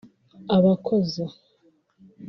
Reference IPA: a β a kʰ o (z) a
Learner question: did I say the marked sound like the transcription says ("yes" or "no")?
yes